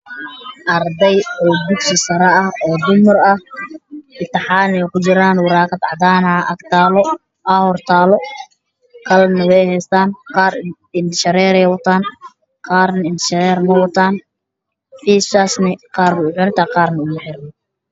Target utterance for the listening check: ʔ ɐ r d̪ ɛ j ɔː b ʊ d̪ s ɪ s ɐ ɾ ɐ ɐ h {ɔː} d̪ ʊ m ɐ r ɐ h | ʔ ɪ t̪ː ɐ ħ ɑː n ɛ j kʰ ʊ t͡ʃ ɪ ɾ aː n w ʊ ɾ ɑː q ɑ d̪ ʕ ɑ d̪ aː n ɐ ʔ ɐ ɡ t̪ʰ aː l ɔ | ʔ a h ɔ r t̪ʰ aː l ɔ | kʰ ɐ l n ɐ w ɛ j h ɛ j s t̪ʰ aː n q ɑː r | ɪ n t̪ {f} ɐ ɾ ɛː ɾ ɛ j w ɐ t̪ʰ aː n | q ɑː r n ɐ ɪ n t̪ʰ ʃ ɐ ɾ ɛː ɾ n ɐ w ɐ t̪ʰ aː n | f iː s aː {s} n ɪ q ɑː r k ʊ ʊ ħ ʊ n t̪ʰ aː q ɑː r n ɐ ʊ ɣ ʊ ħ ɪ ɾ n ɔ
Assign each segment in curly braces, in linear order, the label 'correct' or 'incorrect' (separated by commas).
correct, incorrect, correct